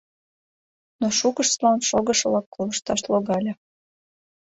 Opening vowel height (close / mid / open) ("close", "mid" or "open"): mid